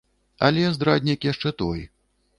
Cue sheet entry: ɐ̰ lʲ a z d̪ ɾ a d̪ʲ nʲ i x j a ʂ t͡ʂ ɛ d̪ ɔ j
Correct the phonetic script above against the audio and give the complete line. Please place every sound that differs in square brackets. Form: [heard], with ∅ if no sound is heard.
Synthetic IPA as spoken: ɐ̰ lʲ [ɛ] z d̪ ɾ a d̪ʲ nʲ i [k] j a ʂ t͡ʂ ɛ [t̪] ɔ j